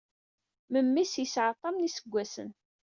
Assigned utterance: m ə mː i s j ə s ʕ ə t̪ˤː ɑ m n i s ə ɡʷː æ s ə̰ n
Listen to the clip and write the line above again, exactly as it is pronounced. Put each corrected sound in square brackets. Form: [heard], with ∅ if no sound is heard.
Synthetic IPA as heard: m ə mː i s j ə s ʕ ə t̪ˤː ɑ m n i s ə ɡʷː æ s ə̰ n